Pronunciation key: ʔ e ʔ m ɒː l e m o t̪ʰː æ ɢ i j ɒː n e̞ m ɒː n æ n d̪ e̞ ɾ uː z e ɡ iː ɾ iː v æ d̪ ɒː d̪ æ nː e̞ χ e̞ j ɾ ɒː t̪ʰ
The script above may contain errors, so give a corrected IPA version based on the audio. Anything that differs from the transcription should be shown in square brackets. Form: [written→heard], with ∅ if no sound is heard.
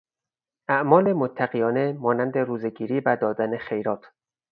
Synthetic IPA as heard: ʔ [e→æ] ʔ m ɒː l e m o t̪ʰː æ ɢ i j ɒː n e̞ m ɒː n æ n d̪ e̞ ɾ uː z e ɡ iː ɾ iː v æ d̪ ɒː d̪ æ [nː→n] e̞ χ e̞ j ɾ ɒː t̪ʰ